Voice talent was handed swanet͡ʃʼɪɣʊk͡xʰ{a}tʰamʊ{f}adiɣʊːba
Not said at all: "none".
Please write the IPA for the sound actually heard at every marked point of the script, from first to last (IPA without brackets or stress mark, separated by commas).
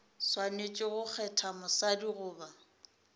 ɛ, s